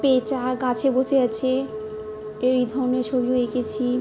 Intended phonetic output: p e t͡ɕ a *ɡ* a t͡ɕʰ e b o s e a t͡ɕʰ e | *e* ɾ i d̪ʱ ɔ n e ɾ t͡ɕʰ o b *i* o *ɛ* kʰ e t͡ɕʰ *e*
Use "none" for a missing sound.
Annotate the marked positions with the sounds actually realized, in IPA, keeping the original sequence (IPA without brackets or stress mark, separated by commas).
ɡ, e, i, e, i